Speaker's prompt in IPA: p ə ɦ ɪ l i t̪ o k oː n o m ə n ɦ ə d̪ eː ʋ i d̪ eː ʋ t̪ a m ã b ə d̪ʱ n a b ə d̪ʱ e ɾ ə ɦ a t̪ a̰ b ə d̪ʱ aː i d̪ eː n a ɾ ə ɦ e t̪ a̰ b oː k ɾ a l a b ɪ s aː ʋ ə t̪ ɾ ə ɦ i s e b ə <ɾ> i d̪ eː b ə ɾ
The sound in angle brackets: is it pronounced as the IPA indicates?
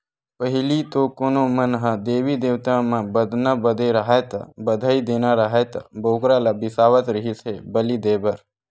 no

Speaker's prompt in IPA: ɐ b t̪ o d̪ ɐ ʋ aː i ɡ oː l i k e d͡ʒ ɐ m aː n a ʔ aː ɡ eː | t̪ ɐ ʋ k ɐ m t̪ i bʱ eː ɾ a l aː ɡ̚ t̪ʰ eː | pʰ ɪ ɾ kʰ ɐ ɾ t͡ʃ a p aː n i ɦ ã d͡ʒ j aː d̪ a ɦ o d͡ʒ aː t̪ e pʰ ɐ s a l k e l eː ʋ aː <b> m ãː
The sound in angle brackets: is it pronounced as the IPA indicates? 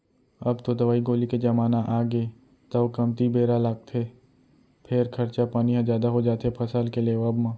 yes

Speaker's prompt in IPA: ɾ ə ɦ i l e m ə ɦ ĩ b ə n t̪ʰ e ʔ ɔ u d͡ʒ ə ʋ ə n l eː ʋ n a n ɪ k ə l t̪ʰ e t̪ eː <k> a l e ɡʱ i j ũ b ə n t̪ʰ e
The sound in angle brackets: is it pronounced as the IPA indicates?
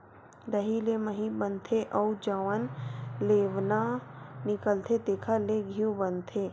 no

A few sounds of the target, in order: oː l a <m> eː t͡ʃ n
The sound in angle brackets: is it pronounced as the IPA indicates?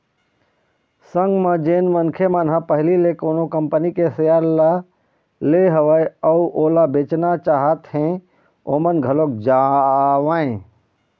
no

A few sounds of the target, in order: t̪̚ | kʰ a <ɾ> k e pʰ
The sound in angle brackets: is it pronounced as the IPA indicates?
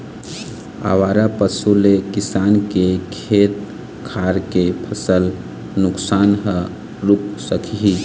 yes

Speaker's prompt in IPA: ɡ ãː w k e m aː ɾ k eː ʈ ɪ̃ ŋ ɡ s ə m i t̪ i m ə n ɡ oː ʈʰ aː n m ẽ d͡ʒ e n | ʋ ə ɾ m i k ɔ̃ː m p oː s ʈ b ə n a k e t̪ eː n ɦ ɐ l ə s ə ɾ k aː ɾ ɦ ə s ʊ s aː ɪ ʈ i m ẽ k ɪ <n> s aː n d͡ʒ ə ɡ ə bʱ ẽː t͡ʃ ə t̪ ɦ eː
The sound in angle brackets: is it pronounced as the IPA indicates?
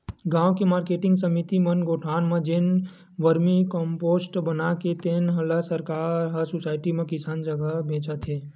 no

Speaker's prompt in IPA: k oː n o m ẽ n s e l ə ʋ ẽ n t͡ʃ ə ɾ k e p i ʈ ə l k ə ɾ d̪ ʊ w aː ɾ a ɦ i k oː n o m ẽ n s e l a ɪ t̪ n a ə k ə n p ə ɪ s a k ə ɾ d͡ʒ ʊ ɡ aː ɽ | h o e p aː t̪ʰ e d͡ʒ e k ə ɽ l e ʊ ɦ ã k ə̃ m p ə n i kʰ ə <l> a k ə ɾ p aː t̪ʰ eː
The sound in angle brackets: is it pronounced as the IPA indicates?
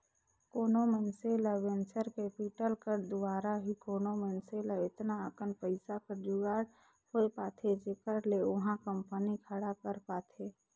no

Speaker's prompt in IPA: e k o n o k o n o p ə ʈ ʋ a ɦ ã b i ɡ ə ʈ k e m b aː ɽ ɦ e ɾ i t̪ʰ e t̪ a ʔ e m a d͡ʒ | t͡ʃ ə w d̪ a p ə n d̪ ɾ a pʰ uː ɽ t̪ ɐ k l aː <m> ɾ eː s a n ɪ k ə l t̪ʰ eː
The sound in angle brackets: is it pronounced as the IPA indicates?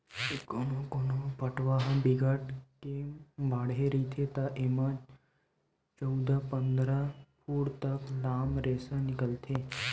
yes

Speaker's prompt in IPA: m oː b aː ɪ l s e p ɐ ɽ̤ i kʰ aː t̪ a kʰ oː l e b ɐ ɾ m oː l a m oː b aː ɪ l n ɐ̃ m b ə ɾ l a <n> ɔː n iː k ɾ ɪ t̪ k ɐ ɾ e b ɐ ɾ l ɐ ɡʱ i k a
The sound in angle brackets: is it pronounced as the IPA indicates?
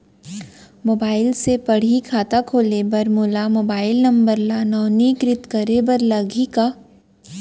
yes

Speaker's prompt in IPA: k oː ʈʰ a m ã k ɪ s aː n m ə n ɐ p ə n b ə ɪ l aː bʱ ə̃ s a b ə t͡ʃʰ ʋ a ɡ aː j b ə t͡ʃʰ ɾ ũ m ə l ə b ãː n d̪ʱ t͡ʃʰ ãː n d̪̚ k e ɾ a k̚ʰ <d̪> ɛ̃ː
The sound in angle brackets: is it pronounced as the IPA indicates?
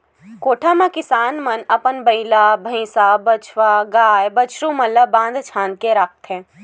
no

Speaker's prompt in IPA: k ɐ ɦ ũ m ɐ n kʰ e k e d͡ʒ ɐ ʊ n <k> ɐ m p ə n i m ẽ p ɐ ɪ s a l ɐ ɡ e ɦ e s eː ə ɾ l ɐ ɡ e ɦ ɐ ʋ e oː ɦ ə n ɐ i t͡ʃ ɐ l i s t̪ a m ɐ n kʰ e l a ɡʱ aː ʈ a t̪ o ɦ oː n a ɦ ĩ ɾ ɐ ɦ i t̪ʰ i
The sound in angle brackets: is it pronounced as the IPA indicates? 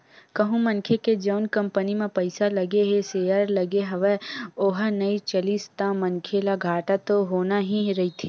yes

